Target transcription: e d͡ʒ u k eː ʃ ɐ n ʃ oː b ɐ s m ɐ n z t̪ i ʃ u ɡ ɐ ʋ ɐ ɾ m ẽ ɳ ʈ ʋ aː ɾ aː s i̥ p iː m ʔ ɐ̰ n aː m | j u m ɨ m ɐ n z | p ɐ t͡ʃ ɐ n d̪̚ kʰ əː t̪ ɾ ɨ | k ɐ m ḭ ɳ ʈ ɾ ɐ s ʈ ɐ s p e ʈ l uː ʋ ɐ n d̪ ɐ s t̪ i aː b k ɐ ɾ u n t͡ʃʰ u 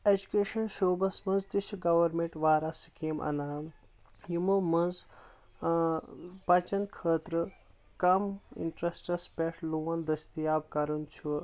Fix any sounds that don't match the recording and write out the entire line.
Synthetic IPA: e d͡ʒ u k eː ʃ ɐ n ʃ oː b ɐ s m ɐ n z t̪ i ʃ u ɡ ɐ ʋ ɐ ɾ m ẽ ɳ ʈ ʋ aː ɾ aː s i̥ k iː m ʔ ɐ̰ n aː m | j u m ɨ m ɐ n z | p ɐ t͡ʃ ɐ n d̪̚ kʰ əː t̪ ɾ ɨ | k ɐ m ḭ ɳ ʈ ɾ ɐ s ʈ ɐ s p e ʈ l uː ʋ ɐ n d̪ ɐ s t̪ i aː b k ɐ ɾ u n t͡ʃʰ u